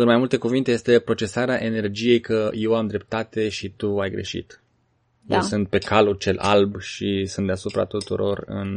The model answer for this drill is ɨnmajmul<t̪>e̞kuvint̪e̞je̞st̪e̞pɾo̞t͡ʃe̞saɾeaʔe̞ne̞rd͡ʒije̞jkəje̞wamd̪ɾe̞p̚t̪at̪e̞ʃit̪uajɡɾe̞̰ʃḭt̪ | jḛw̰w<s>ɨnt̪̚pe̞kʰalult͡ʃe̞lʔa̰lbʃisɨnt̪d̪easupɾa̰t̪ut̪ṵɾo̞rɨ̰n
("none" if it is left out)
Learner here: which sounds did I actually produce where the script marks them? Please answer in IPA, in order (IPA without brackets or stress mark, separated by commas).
t̪, s